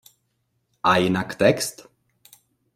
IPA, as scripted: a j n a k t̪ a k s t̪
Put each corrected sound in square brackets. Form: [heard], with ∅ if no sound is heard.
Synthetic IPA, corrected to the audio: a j n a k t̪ [ɛ] k s t̪